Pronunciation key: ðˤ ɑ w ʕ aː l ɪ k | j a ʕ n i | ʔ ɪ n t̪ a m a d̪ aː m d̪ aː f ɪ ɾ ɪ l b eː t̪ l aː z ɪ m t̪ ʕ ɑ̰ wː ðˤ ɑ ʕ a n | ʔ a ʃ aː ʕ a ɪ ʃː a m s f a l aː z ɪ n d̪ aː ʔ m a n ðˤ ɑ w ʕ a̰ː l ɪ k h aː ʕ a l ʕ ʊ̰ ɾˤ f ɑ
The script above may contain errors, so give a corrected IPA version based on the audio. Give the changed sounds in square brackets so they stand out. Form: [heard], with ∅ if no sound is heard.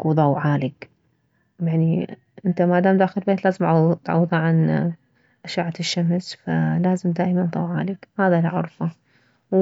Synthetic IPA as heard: ðˤ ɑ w ʕ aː l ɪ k | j a ʕ n i | ʔ ɪ n t̪ a m a d̪ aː m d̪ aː [x] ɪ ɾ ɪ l b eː t̪ l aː z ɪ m t̪ ʕ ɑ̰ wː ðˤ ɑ ʕ a n | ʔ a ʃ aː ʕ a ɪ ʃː a m s f a l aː z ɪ [m] d̪ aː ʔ m a n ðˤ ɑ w ʕ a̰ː l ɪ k h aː [ð] a l ʕ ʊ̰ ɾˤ f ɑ